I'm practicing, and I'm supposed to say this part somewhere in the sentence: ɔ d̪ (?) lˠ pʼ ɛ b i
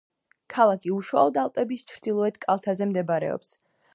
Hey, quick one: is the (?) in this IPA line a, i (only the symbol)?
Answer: a